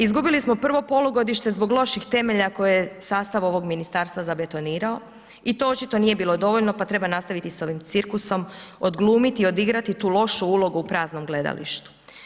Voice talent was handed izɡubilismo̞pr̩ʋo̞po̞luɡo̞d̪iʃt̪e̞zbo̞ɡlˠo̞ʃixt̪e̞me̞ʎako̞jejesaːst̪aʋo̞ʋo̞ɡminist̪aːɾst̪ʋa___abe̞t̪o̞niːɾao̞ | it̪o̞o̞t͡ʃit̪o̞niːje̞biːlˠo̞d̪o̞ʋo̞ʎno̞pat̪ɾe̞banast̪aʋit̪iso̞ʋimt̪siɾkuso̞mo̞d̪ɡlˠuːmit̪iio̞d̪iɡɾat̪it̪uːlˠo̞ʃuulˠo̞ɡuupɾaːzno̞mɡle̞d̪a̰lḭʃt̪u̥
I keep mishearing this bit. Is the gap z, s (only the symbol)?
z